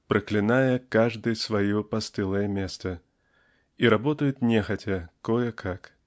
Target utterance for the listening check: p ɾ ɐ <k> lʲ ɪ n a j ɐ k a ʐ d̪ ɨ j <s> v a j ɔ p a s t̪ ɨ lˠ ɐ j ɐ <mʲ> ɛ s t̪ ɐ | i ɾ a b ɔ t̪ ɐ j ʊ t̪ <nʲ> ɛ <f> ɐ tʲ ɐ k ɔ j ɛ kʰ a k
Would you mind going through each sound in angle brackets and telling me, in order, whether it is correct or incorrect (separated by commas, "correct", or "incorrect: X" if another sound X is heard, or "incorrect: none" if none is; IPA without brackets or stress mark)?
correct, correct, correct, correct, incorrect: x